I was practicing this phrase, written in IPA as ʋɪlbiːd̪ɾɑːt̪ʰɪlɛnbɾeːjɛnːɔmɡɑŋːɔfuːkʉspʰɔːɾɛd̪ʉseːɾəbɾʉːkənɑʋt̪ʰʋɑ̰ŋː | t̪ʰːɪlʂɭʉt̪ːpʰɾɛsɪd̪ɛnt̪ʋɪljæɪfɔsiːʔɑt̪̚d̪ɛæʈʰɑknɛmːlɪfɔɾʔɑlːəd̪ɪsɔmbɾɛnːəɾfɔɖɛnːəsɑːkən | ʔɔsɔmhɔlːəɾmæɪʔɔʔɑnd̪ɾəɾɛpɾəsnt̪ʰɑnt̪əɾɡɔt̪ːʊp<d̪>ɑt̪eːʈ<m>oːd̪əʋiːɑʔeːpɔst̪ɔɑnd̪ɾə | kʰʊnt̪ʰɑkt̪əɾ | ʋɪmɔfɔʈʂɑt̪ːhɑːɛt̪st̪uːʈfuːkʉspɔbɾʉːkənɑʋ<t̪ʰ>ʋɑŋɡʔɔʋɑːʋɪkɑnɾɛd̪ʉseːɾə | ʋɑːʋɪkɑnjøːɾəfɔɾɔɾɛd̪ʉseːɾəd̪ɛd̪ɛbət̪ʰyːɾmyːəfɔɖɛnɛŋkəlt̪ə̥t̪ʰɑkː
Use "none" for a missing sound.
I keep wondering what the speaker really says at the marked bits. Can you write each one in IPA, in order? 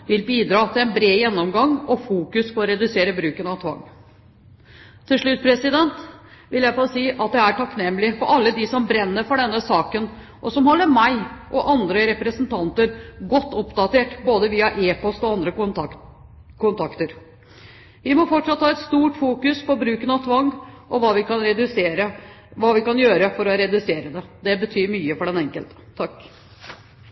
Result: d̪, b, t̪ʰ

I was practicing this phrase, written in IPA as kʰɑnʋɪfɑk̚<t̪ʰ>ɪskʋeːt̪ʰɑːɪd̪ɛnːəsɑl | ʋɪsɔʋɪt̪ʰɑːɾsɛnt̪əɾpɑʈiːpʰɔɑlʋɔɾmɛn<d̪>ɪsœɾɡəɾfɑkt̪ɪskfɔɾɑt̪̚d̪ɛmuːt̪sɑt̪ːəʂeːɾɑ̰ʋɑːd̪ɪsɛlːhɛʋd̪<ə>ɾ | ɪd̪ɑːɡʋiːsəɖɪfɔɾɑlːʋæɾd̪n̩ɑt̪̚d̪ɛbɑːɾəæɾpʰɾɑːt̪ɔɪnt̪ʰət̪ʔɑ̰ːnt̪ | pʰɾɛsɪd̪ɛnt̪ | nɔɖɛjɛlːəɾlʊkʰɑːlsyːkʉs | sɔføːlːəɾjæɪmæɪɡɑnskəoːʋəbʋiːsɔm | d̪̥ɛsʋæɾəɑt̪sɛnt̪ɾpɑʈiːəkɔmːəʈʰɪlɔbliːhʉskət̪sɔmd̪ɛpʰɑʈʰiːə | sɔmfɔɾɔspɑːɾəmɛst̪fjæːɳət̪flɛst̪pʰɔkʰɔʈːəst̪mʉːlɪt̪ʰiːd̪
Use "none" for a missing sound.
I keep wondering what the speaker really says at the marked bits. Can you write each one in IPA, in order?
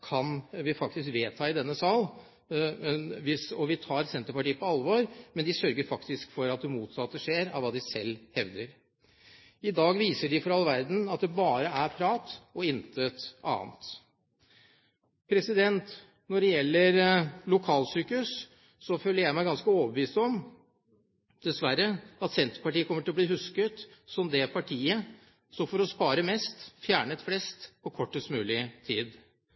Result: t̪, d̪, ə

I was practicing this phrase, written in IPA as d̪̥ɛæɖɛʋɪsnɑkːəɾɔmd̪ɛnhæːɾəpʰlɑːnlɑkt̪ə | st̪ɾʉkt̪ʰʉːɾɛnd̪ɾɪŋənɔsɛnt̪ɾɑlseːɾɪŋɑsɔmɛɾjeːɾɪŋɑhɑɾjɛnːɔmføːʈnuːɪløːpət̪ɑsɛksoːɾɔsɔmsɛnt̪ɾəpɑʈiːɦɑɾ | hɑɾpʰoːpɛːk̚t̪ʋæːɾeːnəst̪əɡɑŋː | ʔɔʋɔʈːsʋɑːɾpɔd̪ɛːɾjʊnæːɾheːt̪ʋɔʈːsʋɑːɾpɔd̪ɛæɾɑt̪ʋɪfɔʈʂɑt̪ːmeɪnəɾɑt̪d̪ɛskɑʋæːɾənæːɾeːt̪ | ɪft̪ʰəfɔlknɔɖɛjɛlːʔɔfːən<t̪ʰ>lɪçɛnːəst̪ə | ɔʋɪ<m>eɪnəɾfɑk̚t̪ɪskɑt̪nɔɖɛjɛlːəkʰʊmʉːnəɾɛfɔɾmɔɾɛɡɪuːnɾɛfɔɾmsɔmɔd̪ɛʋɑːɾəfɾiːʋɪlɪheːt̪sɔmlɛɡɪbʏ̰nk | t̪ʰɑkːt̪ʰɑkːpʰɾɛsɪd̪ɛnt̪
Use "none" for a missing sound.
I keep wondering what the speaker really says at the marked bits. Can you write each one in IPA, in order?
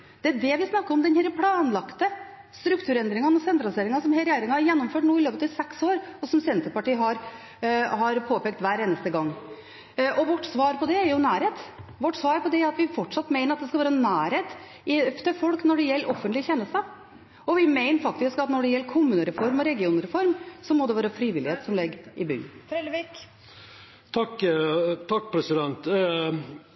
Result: t̪, m

